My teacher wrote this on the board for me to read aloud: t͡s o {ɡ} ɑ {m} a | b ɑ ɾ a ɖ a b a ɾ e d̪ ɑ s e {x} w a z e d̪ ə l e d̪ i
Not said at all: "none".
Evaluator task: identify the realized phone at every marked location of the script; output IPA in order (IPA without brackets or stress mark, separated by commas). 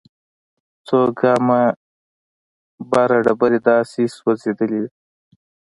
ɡ, m, s